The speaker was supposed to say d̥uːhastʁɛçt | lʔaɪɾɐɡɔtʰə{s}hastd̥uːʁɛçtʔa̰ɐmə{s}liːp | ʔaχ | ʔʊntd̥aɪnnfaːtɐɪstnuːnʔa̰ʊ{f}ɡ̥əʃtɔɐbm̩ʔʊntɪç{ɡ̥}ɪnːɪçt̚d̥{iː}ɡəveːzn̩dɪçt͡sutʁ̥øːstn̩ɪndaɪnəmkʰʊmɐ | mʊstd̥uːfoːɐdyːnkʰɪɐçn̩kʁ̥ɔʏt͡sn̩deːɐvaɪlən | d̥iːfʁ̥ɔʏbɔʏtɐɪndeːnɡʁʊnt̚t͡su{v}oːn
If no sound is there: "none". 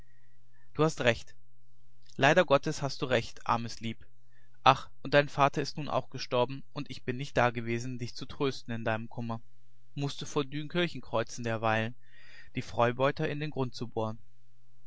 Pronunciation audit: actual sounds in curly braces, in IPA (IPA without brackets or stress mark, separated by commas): s, s, x, b̥, aː, b